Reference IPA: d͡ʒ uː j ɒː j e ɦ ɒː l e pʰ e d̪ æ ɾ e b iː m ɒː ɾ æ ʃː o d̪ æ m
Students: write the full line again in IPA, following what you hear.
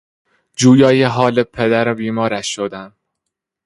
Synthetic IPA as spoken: d͡ʒ uː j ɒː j e ɦ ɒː l e pʰ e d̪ æ ɾ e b iː m ɒː ɾ æ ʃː o d̪ æ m